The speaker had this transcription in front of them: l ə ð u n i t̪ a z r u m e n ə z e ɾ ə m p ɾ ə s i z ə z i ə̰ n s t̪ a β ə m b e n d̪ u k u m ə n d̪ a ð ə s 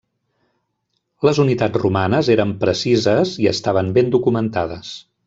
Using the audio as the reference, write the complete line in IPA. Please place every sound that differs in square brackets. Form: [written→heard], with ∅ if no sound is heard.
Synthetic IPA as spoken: l ə [ð→z] u n i t̪ a [z→d͡z] r u m [e→a] n ə z e ɾ ə m p ɾ ə s i z ə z i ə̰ [n→∅] s t̪ a β ə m b e n d̪ u k u m ə n [d̪→t̪] a ð ə s